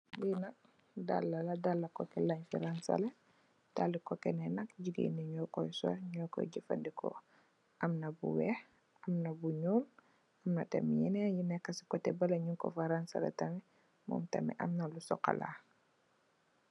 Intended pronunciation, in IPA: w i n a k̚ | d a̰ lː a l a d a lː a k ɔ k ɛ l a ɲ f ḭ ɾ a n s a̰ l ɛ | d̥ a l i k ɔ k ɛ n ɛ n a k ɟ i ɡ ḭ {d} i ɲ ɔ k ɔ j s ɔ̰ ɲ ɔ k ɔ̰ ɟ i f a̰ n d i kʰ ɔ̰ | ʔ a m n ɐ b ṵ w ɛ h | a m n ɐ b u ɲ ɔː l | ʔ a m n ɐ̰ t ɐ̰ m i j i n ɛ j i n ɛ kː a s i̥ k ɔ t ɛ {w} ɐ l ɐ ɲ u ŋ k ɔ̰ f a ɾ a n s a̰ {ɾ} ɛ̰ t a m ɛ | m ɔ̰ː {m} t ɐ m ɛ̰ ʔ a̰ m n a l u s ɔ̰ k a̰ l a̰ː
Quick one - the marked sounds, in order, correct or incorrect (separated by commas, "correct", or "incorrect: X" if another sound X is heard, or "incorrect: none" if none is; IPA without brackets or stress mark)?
incorrect: n, incorrect: b, incorrect: l, correct